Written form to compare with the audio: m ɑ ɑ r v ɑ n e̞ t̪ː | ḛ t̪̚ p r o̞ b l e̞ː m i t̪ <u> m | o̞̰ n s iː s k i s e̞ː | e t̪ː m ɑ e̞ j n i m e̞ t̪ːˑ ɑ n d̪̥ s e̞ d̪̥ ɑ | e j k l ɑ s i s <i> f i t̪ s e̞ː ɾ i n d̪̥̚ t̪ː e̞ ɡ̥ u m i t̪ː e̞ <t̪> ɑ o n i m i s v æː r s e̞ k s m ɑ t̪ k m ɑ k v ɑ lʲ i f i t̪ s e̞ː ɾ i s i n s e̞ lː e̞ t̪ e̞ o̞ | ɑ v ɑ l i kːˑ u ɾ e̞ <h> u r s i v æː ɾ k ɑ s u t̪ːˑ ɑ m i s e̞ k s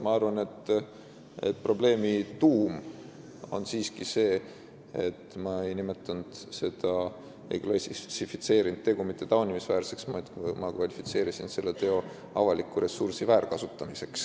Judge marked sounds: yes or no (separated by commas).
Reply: no, yes, yes, no